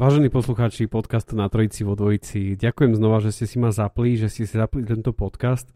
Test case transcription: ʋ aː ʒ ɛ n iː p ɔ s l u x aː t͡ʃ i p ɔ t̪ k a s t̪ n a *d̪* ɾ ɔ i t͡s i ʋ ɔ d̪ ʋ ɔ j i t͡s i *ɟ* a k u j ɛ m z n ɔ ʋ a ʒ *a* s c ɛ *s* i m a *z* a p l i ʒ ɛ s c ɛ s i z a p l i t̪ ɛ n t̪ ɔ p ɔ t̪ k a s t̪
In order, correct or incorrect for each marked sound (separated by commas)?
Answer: incorrect, correct, incorrect, correct, correct